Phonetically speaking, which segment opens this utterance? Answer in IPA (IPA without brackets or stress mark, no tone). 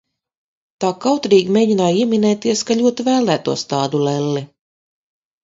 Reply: t̪